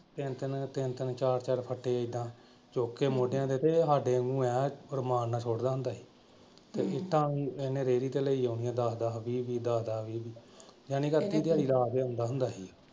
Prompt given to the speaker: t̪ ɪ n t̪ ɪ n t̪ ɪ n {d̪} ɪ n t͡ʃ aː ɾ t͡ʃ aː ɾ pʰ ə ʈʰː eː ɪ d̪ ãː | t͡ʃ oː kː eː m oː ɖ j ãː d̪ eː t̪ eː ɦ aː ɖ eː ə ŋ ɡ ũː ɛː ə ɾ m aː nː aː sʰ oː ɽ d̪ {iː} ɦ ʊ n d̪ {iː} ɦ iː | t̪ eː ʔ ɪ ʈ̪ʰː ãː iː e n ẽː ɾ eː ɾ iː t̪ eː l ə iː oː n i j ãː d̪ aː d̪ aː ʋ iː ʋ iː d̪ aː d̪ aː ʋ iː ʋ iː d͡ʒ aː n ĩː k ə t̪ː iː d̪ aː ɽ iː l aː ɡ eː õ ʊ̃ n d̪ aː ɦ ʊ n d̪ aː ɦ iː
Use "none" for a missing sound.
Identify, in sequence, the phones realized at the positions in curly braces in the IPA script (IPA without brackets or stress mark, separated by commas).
t̪, aː, aː